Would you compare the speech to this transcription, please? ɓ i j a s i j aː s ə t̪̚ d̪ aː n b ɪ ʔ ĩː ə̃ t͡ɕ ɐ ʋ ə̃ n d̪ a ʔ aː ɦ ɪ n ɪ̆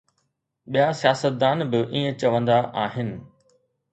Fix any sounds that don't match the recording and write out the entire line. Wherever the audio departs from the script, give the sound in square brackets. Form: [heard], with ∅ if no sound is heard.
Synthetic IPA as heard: ɓ i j a s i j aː s ə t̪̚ d̪ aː n b ɪ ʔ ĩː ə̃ t͡ɕ ɐ ʋ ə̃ n d̪ a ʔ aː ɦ ɪ n ɪ̆